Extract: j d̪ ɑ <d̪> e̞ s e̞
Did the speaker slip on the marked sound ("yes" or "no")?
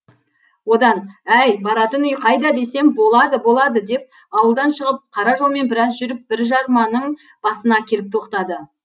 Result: no